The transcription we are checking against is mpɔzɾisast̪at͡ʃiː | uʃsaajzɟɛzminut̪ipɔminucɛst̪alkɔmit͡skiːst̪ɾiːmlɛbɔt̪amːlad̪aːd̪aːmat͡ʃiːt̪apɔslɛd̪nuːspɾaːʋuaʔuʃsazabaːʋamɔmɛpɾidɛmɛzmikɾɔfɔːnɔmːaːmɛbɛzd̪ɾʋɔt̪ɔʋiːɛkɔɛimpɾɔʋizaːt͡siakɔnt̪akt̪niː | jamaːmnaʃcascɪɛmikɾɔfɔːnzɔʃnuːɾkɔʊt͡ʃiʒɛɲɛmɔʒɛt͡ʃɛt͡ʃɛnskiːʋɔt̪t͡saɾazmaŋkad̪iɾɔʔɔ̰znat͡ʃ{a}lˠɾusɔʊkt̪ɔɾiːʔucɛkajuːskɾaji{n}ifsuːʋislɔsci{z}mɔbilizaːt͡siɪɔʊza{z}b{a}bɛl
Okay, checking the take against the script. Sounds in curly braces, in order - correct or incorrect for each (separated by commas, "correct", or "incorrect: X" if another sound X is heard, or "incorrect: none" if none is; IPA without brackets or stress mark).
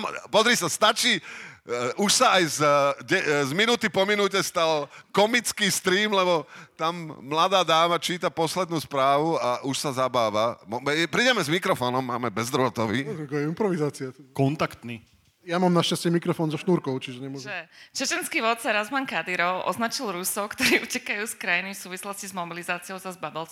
incorrect: i, correct, correct, correct, correct